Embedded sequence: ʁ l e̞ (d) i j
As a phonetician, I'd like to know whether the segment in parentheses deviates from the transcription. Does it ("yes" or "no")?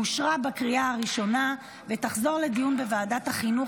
no